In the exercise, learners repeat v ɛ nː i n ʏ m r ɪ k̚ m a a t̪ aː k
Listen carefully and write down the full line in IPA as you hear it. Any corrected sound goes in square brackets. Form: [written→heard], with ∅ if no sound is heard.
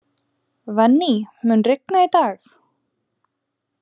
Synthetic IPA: v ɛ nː i [n→m] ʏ [m→n] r ɪ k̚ [m→n] a [a→i] t̪ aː [k→x]